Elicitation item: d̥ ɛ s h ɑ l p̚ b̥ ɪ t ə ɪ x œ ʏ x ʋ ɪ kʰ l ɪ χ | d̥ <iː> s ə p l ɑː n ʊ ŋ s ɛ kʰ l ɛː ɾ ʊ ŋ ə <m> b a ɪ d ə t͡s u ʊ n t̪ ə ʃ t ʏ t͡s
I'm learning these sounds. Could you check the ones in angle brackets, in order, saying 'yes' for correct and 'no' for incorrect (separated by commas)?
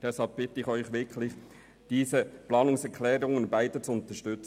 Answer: yes, no